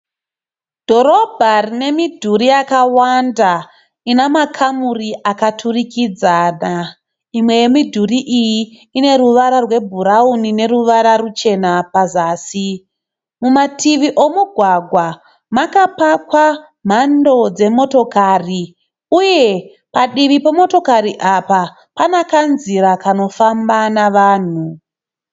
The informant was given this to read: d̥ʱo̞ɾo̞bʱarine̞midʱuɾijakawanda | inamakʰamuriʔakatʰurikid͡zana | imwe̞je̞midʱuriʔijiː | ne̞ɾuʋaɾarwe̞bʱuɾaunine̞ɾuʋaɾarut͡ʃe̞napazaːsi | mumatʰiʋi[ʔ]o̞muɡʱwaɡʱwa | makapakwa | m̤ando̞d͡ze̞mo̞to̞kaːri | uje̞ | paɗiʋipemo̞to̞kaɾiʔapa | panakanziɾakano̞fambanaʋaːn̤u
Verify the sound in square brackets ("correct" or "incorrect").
correct